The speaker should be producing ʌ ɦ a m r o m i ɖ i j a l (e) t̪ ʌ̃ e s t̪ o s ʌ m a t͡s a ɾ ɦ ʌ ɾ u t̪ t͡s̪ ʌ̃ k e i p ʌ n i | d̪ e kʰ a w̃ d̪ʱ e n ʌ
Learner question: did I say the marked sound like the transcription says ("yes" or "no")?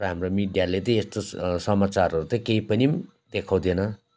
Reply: yes